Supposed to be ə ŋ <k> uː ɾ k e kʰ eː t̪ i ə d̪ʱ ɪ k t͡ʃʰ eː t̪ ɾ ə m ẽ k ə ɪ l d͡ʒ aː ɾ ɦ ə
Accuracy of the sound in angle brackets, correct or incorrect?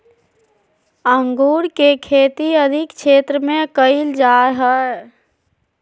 incorrect